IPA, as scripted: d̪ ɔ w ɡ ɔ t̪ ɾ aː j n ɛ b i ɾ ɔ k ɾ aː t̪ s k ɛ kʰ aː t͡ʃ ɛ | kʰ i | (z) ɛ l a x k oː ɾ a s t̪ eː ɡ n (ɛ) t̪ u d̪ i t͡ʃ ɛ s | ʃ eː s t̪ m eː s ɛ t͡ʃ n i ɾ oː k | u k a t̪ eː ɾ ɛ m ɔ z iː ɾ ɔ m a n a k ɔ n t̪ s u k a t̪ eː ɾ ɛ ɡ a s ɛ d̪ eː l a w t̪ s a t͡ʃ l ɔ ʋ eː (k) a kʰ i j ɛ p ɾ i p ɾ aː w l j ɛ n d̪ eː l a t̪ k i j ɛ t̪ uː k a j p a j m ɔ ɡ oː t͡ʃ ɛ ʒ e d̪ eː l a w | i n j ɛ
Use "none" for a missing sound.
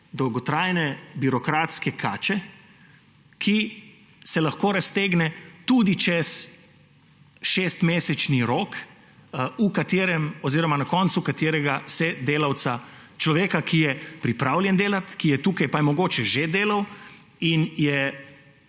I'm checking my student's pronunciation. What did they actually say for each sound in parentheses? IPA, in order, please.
s, ɛ, k

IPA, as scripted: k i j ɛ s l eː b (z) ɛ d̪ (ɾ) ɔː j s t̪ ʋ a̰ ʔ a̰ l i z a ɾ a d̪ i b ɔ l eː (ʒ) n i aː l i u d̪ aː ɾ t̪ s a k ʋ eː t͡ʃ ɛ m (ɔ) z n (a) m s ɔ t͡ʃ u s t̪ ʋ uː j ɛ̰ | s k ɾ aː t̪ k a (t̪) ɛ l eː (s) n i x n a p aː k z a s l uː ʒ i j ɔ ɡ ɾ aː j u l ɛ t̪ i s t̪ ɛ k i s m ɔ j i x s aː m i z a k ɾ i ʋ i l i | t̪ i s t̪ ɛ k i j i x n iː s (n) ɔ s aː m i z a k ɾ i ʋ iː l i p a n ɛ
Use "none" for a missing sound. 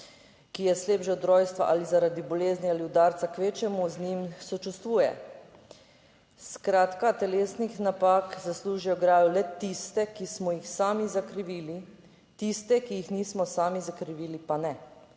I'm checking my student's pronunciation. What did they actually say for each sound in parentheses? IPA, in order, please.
ʒ, ɾ, z, u, i, t̪, s, m

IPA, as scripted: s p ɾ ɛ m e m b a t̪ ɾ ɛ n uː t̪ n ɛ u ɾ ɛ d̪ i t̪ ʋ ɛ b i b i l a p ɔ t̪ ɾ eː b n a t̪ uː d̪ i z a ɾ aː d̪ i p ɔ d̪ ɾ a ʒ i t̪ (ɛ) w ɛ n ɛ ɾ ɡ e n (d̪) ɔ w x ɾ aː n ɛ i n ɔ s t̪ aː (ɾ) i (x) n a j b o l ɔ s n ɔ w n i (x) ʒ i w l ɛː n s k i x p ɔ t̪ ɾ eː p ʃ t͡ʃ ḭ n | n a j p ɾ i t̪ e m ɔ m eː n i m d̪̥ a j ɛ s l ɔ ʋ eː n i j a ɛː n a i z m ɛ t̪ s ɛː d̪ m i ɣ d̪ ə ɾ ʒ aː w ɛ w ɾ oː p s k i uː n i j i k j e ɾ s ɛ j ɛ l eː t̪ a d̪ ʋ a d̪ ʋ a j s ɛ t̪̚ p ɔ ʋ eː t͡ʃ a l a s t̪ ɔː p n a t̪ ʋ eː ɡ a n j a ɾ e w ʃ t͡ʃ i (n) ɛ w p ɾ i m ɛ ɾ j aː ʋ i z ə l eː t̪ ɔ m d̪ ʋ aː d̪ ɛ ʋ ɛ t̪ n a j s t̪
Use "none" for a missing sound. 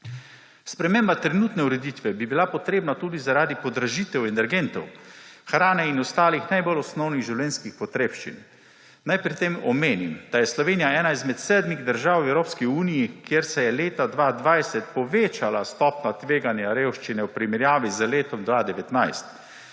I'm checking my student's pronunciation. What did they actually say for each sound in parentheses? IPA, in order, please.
ɛ, t̪, l, x, ɣ, n

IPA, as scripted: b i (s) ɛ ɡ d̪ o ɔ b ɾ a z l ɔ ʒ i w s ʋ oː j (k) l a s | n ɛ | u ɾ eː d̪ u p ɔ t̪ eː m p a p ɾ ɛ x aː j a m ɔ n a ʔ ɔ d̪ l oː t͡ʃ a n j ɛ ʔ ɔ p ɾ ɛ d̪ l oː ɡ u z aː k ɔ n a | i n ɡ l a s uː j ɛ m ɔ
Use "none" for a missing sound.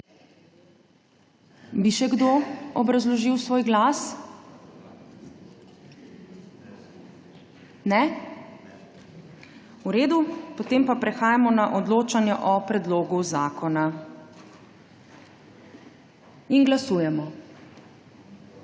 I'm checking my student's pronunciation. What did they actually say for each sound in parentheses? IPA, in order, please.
ʃ, ɡ

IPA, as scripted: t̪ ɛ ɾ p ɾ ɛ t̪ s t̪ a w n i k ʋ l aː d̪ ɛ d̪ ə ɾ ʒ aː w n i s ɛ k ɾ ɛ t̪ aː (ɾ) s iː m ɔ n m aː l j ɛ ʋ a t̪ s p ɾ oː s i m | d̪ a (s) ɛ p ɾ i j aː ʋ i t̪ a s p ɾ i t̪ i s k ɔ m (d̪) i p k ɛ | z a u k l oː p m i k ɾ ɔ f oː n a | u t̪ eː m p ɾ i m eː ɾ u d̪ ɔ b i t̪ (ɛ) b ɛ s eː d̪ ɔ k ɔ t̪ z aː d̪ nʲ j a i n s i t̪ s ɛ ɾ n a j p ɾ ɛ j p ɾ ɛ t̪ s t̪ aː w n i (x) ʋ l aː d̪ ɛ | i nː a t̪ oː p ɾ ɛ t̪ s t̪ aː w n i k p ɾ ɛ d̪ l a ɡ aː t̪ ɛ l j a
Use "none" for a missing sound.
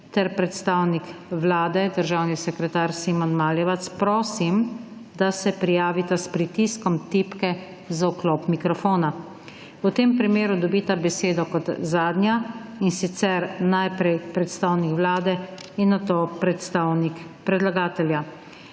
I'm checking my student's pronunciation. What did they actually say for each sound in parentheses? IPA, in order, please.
ɾ, s, t̪, a, k

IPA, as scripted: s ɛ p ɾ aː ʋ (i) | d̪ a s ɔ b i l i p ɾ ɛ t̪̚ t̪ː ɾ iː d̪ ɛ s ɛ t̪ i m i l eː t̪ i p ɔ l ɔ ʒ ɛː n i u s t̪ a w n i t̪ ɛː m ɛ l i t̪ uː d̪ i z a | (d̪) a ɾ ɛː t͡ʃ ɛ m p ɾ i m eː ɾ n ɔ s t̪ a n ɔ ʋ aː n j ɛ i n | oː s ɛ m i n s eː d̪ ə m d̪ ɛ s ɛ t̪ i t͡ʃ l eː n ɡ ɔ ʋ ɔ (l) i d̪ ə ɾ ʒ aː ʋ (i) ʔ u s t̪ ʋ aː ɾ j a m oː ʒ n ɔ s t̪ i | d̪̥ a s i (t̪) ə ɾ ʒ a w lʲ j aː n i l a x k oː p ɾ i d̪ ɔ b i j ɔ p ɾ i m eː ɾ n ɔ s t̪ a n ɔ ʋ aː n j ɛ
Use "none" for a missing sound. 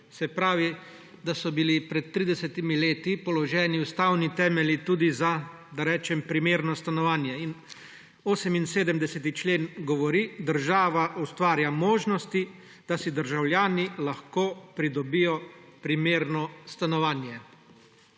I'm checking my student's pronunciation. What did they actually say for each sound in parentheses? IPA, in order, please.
i, d̪, ɾ, a, d̪

